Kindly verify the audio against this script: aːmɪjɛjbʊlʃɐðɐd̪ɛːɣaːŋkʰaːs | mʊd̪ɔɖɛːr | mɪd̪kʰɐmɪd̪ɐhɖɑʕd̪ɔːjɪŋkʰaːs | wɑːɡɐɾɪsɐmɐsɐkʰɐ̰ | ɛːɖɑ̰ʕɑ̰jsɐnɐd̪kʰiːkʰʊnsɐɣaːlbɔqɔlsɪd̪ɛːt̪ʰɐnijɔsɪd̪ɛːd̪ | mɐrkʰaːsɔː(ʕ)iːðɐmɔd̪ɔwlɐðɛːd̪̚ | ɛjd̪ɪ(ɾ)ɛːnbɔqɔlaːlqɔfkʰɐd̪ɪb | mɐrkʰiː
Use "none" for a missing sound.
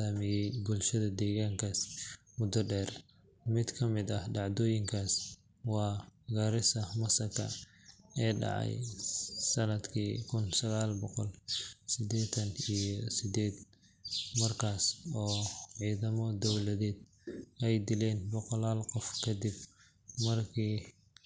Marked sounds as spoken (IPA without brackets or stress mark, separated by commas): ʕ, l